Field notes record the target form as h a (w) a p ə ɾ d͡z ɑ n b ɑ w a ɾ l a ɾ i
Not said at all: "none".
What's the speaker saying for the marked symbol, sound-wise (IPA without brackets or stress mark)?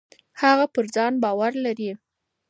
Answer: ɣ